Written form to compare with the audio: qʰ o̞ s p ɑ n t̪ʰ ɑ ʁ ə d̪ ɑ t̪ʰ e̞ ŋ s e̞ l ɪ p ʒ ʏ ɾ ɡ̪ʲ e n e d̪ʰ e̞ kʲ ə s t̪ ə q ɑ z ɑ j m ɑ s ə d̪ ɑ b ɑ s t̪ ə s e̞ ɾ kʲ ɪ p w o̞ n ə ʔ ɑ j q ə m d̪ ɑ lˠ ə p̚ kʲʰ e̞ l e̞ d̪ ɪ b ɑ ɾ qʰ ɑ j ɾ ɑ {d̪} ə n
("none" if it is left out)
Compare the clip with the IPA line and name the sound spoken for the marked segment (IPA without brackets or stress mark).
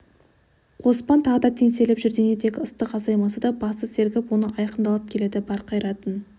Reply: t̪